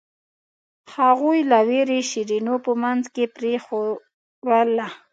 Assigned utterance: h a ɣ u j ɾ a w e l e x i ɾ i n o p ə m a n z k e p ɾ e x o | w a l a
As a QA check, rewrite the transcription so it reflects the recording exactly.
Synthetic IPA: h a ɣ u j l a w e ɾ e ʃ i ɾ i n o p ə m a n z k e p ɾ e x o | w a l a